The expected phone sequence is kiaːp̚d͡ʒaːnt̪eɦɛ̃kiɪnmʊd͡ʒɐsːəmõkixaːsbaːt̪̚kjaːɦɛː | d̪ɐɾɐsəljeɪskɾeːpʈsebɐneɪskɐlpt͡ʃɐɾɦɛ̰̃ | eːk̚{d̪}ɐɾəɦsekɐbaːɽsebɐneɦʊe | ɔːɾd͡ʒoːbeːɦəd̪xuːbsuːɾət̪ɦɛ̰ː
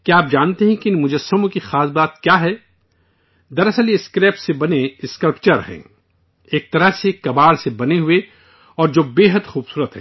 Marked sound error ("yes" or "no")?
yes